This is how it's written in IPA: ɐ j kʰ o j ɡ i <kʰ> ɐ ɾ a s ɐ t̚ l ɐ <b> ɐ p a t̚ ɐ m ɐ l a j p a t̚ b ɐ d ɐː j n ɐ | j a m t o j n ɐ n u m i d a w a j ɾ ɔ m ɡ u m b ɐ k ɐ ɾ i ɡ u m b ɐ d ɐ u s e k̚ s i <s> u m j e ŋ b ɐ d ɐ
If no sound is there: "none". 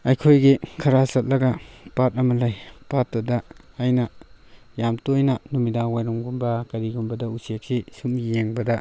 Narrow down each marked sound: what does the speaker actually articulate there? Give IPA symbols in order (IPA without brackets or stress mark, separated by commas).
kʰ, ɡ, s